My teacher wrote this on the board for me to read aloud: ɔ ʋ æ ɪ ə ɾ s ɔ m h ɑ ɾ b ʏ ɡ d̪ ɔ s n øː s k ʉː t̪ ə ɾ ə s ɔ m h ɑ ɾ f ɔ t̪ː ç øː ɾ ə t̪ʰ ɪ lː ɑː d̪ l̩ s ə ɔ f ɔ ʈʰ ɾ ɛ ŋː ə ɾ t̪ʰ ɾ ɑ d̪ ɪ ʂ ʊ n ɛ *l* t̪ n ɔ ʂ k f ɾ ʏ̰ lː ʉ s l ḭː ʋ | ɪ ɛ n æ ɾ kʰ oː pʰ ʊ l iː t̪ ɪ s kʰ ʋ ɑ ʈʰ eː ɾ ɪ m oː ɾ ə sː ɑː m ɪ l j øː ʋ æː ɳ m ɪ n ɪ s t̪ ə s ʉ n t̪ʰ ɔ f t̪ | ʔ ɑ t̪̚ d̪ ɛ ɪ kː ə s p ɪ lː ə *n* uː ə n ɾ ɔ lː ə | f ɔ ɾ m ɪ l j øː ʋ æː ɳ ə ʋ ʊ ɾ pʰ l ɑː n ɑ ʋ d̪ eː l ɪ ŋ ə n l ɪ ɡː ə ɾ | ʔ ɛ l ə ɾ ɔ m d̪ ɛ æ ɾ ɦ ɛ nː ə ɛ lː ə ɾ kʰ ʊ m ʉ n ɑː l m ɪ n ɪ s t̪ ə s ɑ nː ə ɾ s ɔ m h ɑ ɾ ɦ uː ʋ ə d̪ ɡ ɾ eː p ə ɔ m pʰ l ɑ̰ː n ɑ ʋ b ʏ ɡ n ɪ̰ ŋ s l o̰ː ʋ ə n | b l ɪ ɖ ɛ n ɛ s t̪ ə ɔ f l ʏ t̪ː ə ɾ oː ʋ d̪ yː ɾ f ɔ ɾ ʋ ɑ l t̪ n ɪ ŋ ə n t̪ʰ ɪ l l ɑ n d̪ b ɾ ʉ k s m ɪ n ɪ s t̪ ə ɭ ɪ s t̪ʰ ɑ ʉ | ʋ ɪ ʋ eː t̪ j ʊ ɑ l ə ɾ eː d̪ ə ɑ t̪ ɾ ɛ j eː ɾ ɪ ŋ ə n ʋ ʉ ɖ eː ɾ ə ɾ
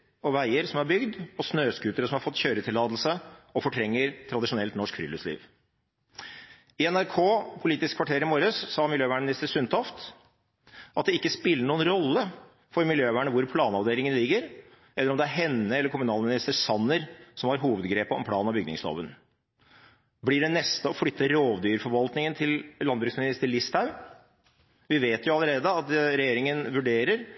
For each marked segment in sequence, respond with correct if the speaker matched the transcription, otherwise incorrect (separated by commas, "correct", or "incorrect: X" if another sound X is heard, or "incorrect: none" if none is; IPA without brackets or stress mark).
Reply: correct, incorrect: ɳ